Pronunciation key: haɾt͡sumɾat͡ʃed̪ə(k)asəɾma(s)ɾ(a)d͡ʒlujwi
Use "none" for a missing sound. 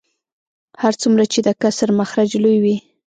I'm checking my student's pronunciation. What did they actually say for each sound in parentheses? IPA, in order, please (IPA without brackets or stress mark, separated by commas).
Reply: k, x, a